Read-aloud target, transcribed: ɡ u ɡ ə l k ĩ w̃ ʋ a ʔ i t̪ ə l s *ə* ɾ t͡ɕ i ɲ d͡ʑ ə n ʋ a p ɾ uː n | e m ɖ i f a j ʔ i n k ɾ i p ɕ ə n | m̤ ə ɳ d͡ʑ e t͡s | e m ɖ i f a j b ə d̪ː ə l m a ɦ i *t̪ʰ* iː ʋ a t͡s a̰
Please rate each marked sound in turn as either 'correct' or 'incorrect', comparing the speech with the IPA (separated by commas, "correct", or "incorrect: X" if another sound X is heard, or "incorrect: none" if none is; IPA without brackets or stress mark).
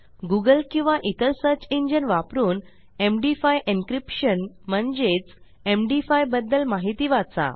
correct, incorrect: t̪